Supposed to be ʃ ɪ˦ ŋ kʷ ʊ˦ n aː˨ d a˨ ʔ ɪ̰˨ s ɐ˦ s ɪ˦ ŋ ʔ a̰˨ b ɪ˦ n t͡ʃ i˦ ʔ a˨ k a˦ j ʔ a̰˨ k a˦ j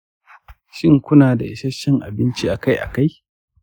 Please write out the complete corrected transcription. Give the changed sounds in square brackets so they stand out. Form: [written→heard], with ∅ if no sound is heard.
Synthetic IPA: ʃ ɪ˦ ŋ kʷ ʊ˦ n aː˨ d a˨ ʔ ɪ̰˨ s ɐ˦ [s→ʃ] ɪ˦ ŋ ʔ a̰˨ b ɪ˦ n t͡ʃ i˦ ʔ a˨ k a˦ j ʔ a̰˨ k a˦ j

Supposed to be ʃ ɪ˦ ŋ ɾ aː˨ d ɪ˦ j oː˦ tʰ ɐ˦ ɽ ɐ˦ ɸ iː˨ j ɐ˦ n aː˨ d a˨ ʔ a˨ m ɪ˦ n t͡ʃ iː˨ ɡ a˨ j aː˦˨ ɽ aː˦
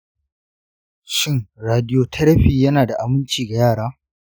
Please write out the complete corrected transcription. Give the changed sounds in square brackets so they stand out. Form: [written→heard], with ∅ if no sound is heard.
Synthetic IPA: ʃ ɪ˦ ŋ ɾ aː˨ d ɪ˦ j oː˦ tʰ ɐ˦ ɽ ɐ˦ ɸ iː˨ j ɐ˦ n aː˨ d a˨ ʔ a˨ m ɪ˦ n t͡ʃ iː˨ ɡ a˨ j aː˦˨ ɽ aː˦

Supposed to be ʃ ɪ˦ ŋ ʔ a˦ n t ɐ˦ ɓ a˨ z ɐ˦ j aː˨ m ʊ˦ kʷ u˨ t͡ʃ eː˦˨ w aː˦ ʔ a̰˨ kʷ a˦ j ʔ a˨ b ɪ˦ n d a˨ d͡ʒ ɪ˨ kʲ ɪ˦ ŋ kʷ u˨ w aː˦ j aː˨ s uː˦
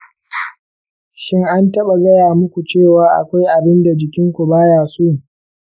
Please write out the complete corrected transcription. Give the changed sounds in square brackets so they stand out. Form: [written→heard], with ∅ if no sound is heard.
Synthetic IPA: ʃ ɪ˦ ŋ ʔ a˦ n t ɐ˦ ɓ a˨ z ɐ˦ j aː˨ m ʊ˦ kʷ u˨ t͡ʃ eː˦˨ w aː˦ ʔ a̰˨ kʷ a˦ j ʔ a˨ b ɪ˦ n d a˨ d͡ʒ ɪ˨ kʲ ɪ˦ ŋ kʷ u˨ [w→b] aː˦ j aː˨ s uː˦

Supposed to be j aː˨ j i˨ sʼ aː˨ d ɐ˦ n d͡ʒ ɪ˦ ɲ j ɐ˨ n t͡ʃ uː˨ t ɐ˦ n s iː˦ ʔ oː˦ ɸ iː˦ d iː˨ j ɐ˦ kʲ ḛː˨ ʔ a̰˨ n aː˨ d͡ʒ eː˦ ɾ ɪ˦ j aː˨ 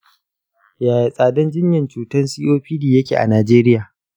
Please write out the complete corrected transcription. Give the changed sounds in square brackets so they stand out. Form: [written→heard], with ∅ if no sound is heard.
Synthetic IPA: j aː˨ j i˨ sʼ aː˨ d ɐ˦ n d͡ʒ ɪ˦ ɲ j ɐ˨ n t͡ʃ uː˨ t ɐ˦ n s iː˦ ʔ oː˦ ɸ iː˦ d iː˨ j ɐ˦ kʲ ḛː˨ ʔ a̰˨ n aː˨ d͡ʒ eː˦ ɾ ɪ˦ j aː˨

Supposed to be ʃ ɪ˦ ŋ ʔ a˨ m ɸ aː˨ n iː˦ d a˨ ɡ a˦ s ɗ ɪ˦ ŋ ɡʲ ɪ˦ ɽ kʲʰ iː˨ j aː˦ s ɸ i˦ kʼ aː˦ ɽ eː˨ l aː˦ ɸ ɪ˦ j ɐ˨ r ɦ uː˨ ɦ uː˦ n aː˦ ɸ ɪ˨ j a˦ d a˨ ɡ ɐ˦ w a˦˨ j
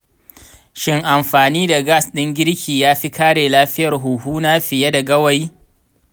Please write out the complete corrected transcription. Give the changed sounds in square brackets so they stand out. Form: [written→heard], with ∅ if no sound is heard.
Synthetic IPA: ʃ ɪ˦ ŋ ʔ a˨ m ɸ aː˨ n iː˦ d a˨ ɡ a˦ s ɗ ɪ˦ ŋ ɡʲ ɪ˦ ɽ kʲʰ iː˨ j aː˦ [s→∅] ɸ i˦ [kʼ→k] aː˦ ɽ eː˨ l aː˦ ɸ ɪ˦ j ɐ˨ r ɦ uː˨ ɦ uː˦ n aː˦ ɸ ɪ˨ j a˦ d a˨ ɡ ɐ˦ w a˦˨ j

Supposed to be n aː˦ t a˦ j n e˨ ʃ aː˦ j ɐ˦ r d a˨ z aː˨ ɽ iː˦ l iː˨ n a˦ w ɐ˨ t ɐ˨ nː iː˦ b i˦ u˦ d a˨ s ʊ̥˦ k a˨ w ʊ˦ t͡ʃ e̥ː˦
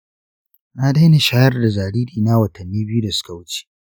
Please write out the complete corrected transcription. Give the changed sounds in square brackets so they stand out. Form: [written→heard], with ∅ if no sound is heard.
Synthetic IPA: n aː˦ [t→d] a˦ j n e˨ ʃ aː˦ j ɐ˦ r d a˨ z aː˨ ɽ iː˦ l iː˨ n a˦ w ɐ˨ t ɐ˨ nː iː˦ b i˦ u˦ d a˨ s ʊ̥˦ k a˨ w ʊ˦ t͡ʃ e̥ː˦

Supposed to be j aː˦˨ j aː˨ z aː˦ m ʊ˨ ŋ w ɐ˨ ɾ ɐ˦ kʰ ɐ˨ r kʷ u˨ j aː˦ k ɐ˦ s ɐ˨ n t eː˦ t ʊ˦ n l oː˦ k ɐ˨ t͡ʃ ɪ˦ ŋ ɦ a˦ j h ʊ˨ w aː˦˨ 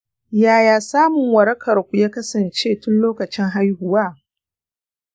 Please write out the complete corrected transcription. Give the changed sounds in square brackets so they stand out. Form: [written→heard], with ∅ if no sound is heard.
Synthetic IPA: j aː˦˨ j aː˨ [z→s] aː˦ m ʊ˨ ŋ w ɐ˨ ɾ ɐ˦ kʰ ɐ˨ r kʷ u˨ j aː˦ k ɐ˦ s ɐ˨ n [t→t͡ʃ] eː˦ t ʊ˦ n l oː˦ k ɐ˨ t͡ʃ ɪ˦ ŋ ɦ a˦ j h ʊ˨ w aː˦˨

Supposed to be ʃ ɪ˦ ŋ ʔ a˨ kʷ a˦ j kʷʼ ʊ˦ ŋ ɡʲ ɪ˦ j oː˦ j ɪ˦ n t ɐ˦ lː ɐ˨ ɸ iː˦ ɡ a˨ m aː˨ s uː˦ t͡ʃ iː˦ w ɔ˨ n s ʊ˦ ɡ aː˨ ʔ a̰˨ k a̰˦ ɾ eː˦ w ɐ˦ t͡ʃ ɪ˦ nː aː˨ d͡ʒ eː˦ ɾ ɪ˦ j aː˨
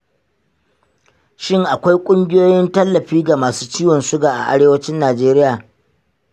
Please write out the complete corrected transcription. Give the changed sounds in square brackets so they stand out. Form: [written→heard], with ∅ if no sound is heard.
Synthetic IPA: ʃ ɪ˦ ŋ ʔ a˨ kʷ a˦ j kʷʼ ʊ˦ ŋ ɡʲ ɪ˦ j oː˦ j ɪ˦ n t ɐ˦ lː ɐ˨ ɸ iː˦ ɡ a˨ m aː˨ s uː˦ t͡ʃ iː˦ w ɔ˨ n s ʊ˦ ɡ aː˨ ʔ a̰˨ [k→ʔ] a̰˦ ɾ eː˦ w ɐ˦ t͡ʃ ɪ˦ nː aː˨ d͡ʒ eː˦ ɾ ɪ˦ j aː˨

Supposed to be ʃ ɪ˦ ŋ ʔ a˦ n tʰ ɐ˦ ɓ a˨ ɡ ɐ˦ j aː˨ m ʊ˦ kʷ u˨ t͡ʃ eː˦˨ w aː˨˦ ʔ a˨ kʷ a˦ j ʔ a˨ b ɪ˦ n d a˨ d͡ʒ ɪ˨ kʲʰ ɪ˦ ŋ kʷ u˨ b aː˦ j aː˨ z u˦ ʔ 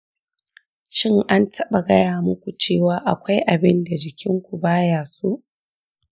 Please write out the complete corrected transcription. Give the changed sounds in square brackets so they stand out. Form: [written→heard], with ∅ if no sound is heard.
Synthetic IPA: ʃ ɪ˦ ŋ ʔ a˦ n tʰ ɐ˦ ɓ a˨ ɡ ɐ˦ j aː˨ m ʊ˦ kʷ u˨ t͡ʃ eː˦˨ w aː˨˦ ʔ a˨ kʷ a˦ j ʔ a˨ b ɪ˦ n d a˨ d͡ʒ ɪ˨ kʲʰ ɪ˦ ŋ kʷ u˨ b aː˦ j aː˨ [z→s] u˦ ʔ

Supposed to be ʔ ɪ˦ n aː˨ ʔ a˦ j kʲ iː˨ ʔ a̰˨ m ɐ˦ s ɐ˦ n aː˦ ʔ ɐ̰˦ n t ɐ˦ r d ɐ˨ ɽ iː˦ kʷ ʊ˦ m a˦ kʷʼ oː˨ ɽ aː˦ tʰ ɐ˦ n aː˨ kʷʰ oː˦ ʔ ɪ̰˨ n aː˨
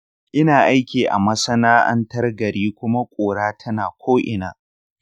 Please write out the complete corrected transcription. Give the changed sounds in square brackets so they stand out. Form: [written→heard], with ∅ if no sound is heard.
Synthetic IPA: ʔ ɪ˦ n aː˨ ʔ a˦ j kʲ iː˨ ʔ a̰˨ m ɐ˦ s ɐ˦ n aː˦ ʔ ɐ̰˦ n t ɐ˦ r [d→ɡ] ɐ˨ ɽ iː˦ kʷ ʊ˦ m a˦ kʷʼ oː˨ ɽ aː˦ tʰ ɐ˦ n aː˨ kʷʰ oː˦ ʔ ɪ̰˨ n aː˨

